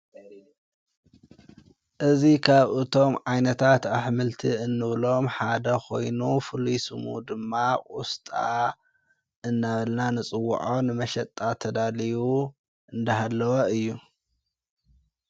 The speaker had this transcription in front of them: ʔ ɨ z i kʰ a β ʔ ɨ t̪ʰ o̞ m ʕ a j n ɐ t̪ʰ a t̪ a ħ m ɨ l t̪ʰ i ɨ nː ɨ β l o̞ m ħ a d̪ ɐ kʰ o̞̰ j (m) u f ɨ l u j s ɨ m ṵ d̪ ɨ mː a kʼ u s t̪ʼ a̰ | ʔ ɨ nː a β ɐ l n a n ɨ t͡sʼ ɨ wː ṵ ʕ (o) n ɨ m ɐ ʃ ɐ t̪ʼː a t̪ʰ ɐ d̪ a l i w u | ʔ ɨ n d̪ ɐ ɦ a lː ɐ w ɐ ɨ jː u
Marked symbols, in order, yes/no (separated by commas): no, yes